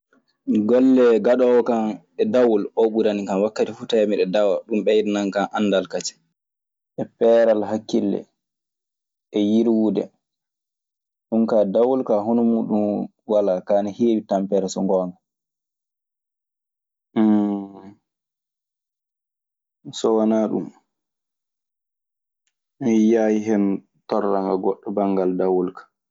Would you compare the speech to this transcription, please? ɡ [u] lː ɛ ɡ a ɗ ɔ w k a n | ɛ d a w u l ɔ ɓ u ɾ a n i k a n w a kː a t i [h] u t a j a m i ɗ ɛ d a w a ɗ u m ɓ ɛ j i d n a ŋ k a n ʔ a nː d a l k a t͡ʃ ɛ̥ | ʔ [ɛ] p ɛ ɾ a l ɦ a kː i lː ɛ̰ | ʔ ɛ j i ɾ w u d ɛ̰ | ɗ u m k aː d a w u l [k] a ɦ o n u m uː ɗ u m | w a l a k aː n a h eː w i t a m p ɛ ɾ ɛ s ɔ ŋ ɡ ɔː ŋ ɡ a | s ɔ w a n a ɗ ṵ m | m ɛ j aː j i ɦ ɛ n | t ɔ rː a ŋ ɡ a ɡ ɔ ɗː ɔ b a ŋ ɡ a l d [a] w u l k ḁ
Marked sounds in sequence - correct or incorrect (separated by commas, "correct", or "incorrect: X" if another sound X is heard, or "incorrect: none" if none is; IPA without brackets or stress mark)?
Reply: incorrect: ɔ, incorrect: f, correct, correct, correct